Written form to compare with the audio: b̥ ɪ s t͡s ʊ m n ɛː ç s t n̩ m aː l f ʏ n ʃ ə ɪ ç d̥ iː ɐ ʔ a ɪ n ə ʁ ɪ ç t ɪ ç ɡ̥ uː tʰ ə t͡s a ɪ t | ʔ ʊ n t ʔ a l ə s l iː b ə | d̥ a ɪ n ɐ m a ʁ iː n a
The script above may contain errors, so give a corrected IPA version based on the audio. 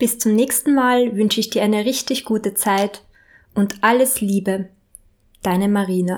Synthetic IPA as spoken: b̥ ɪ s t͡s ʊ m n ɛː ç s t n̩ m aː l v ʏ n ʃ ə ɪ ç d̥ iː ɐ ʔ a ɪ n ə ʁ ɪ ç t ɪ ç ɡ̥ uː t ə t͡s a ɪ t | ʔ ʊ n t ʔ a l ə s l iː b ə | d̥ a ɪ n ə m a ʁ iː n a